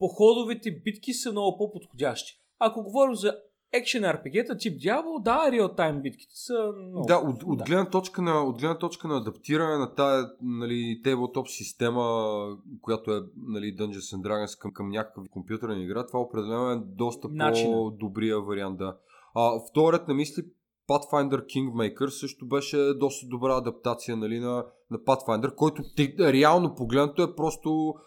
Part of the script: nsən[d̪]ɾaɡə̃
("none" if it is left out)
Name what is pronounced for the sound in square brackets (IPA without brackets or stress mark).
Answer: d̪